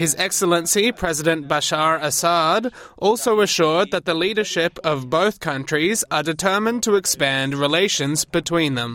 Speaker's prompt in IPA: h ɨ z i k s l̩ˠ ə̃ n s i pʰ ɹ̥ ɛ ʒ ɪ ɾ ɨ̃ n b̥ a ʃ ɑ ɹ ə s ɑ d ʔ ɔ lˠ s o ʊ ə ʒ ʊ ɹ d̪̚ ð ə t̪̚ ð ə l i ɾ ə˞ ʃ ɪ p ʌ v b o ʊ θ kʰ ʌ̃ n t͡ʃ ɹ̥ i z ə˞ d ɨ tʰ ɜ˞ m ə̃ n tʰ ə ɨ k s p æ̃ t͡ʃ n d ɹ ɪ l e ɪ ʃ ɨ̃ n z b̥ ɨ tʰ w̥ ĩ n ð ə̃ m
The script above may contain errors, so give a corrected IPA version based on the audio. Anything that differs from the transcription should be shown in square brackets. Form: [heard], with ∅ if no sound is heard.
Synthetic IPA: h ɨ z [ɛ] k s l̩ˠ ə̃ n s i pʰ ɹ̥ ɛ [z] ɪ ɾ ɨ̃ n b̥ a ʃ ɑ ɹ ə s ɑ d ʔ ɔ lˠ s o ʊ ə [ʃ] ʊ ɹ d̪̚ ð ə t̪̚ ð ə l i ɾ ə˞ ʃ ɪ p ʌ v b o ʊ θ kʰ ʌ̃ n t͡ʃ ɹ̥ i z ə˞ d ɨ tʰ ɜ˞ m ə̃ n tʰ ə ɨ k s p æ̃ [∅] n d ɹ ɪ l e ɪ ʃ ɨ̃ n z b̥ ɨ tʰ w̥ ĩ n ð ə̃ m